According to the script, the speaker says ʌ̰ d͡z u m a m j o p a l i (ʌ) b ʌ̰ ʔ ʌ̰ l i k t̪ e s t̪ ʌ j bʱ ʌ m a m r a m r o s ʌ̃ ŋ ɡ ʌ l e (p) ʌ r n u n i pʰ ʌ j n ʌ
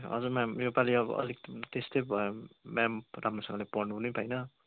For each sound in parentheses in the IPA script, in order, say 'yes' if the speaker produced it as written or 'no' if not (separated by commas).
yes, yes